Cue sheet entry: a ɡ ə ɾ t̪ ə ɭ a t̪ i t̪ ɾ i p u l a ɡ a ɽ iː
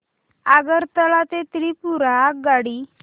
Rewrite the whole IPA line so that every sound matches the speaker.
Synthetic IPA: a ɡ ə ɾ t̪ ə l a t̪ e t̪ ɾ i p u ɾ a ɡ a ɽ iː

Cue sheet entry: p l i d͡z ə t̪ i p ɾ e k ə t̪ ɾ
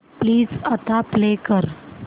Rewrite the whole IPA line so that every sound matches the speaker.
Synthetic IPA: p l iː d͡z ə t̪ a p l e k ə ɾ

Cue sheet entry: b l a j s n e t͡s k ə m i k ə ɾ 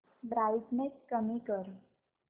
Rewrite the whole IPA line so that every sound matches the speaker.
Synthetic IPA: b ɾ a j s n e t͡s k ə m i k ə ɾ

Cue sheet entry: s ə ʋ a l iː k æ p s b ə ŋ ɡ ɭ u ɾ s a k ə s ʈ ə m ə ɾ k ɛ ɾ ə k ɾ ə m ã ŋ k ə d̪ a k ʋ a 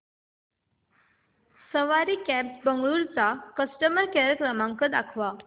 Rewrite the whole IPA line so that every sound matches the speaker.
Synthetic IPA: s ə ʋ a ɾ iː k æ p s b ə ŋ ɡ ɭ u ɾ t͡s a k ə s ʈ ə m ə ɾ k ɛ ɾ ə k ɾ ə m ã ŋ k ə d̪ a kʰ ʋ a

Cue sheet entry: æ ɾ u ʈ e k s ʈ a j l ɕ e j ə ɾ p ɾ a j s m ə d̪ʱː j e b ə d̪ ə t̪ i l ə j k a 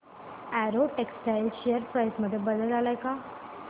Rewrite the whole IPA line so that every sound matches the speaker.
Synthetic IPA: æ ɾ o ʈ e k s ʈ a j l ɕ e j ə ɾ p ɾ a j s m ə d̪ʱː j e b ə d̪ ə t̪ a l a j k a

